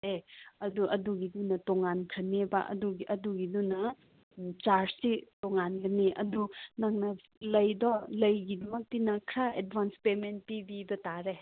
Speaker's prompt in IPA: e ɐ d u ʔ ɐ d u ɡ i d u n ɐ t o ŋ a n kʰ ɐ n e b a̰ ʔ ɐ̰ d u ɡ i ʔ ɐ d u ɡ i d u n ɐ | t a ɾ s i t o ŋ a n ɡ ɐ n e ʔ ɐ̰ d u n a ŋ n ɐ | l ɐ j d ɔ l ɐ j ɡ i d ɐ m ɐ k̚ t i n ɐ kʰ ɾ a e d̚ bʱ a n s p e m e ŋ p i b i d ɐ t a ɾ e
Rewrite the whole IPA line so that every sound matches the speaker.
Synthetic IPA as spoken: e ɐ d u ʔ ɐ d u ɡ i d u n ɐ t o ŋ a n kʰ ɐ n e b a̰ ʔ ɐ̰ d u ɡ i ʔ ɐ d u ɡ i d u n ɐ | t͡ʃ a ɾ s i t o ŋ a n ɡ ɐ n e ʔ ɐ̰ d u n a ŋ n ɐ | l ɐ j d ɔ l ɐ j ɡ i d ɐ m ɐ k̚ t i n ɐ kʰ ɾ a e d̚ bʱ a n s p e m e n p i b i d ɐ t a ɾ e